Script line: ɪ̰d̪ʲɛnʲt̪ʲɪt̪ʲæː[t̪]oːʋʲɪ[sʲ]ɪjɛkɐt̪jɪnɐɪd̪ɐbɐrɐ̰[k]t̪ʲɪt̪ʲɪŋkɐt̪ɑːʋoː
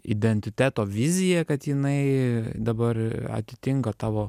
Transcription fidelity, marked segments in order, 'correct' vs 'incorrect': correct, incorrect, incorrect

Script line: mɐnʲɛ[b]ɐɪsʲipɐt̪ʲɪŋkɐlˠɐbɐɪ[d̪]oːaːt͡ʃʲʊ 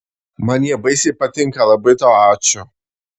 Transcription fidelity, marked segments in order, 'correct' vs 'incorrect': correct, incorrect

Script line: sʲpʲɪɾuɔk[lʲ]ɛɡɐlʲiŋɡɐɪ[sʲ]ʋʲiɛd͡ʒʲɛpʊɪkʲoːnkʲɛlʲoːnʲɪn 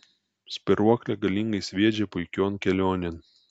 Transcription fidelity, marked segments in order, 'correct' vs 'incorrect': correct, correct

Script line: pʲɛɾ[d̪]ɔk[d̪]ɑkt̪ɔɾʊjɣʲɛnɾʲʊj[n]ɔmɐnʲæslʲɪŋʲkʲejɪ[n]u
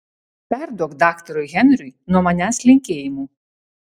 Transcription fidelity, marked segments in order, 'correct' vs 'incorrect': correct, correct, correct, incorrect

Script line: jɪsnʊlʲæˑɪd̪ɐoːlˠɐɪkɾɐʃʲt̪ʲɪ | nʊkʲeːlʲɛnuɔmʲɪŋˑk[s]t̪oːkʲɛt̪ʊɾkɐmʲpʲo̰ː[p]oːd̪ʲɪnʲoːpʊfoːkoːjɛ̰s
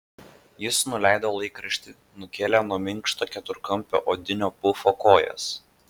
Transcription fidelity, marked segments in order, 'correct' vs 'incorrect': incorrect, incorrect

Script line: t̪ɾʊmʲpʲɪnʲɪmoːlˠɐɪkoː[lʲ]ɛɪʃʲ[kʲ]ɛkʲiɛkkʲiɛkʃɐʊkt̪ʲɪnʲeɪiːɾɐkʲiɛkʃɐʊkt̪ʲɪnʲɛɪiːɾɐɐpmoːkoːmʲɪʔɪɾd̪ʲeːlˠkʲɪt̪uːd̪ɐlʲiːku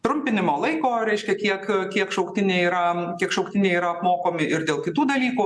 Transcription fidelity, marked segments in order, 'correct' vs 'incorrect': incorrect, correct

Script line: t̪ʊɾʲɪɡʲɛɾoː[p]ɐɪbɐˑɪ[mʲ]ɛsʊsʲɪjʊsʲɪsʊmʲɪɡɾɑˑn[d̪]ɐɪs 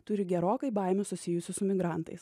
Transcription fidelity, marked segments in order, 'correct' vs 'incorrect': incorrect, correct, incorrect

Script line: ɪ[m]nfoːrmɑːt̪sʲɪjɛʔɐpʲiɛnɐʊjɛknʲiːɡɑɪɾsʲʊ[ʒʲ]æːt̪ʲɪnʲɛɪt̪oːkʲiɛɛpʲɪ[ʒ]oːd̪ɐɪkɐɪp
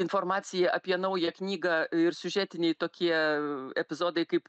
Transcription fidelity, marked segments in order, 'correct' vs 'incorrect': incorrect, correct, incorrect

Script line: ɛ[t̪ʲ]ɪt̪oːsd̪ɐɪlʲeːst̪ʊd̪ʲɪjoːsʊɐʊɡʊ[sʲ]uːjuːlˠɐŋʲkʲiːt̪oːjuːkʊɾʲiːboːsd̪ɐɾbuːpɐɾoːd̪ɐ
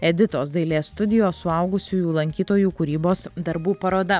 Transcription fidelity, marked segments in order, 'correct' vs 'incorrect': incorrect, correct

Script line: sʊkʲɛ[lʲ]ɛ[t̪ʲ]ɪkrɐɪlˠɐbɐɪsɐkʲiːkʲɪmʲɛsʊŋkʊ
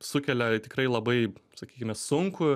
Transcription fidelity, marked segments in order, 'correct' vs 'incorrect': correct, correct

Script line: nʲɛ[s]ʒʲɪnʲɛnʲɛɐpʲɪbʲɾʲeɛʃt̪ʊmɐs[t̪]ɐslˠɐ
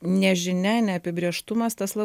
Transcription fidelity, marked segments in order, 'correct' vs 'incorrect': incorrect, correct

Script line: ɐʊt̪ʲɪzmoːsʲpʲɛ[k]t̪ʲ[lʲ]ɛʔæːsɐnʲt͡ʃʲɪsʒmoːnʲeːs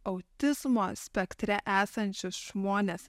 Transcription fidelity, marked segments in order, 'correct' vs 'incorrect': correct, incorrect

